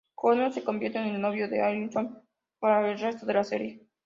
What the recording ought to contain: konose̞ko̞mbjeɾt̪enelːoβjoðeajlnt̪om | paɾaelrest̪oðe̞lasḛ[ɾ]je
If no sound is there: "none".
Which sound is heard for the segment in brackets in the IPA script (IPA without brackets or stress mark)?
ɾ